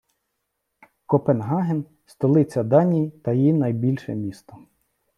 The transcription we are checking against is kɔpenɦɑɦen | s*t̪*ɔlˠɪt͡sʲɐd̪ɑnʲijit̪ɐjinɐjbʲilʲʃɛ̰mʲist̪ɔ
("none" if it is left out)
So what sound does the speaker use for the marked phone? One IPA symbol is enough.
t̪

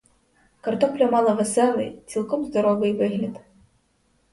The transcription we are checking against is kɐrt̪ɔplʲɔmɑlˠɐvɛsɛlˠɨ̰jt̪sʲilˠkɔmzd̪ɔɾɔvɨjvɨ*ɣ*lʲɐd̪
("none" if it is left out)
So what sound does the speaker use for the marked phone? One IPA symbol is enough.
ɣ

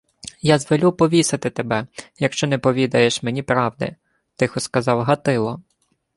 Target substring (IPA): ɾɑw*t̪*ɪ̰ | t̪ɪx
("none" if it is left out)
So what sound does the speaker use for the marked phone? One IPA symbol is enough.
d̪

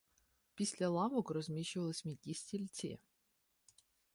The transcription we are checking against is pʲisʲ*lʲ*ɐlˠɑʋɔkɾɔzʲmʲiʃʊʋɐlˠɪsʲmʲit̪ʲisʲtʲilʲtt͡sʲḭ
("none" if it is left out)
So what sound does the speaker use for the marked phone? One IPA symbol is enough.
lʲ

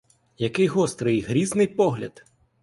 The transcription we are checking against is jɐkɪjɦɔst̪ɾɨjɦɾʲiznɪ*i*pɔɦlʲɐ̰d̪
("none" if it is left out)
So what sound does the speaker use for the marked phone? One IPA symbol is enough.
j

